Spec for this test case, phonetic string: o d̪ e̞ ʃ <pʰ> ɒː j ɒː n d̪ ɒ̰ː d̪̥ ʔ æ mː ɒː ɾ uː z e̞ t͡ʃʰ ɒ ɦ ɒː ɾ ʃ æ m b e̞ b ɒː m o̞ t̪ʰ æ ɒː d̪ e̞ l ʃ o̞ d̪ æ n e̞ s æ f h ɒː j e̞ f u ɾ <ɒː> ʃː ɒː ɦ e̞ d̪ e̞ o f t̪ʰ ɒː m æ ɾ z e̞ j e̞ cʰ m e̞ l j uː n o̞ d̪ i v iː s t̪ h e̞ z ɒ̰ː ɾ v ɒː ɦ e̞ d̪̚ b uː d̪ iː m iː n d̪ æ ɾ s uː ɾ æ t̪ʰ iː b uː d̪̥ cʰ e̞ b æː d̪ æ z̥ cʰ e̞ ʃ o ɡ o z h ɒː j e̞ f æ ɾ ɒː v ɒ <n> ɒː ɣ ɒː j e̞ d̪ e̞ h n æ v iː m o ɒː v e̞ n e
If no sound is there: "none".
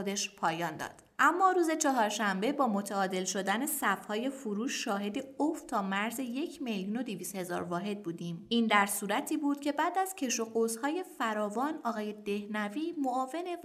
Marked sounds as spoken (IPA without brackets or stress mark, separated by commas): pʰ, uː, n